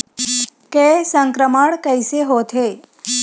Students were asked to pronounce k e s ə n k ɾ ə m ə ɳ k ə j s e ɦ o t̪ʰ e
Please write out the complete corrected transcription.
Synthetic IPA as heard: k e s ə ŋ k ɾ ə m ə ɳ k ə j s e ɦ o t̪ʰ e

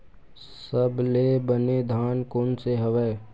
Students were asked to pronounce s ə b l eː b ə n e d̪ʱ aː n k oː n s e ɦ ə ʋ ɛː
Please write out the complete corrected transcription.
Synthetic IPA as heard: s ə b l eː b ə n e d̪ʱ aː n k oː n s e ɦ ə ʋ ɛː

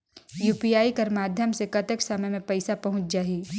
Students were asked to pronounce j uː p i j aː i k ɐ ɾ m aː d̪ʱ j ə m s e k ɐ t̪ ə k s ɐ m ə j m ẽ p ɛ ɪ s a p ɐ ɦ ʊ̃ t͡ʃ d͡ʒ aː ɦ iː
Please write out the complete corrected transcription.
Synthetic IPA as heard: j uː p i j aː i k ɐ ɾ m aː d̪ʱ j ə m s e k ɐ t̪ ə k s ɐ m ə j m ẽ p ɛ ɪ s a p ɐ ɦ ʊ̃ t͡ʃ d͡ʒ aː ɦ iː

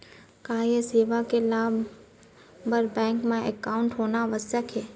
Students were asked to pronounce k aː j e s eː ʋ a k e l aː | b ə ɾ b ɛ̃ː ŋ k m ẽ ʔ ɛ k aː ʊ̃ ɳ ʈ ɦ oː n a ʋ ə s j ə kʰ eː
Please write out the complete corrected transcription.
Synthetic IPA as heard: k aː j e s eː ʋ a k e l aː | b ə ɾ b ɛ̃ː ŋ k m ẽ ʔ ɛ k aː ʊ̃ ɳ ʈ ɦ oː n a ʋ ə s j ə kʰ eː

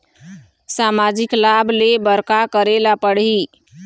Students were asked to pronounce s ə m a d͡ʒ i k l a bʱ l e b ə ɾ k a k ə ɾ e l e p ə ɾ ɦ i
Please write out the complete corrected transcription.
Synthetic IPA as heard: s a m a d͡ʒ i k l a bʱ l e b ə ɾ k a k ə ɾ e l a p ə ɽ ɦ i

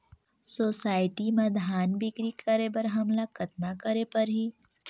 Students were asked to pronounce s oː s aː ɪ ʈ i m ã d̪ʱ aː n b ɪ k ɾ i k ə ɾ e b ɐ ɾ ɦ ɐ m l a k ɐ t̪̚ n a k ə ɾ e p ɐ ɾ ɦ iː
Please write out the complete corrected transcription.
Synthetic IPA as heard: s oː s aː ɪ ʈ i m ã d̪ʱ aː n b ɪ k ɾ i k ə ɾ e b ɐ ɾ ɦ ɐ m l a k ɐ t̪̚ n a k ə ɾ e p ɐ ɾ ɦ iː

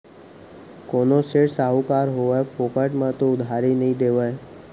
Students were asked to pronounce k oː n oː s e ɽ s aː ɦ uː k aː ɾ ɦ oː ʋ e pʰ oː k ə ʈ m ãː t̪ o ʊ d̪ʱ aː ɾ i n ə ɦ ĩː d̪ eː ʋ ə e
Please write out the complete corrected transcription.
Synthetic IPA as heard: k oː n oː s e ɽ s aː ɦ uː k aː ɾ ɦ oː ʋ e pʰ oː k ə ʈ m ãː t̪ o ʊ d̪ʱ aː ɾ i n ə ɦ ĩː d̪ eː ʋ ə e

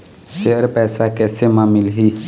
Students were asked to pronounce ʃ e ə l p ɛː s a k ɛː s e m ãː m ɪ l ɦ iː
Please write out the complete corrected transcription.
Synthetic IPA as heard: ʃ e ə ɾ p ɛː s a k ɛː s e m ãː m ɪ l ɦ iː

